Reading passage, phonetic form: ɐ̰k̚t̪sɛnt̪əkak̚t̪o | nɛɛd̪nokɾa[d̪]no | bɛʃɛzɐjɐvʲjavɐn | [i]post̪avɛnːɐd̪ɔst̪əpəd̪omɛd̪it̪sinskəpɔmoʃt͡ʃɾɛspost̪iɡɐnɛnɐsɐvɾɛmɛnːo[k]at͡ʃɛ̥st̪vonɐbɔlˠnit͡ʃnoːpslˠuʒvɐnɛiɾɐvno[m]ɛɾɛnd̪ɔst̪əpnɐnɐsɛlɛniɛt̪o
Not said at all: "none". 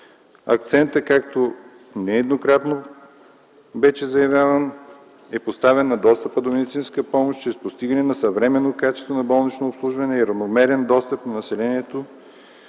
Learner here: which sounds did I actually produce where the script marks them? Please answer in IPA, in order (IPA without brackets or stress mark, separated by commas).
t̪, ɛ, k, m